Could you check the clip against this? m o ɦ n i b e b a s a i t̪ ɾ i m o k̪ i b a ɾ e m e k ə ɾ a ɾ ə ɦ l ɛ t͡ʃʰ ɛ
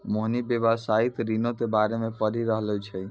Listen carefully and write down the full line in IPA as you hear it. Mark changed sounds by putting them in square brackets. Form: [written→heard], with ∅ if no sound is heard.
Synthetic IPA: m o ɦ n i b e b a s a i t̪ ɾ i [m→n] o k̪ [i→e] b a ɾ e m e [k→p] ə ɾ [a→i] ɾ ə ɦ l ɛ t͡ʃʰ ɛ